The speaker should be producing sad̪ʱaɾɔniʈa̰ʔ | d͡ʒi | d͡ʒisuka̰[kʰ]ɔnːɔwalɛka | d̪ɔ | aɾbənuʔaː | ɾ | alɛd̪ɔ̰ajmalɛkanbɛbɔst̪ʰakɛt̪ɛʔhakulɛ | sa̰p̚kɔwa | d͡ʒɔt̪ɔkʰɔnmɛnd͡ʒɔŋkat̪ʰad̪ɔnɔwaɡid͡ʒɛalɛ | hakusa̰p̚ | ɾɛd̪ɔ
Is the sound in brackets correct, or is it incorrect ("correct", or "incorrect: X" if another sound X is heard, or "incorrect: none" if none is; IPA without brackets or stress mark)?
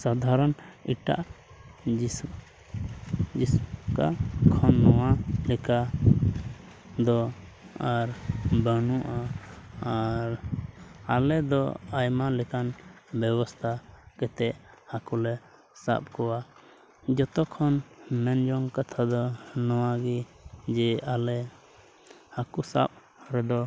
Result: correct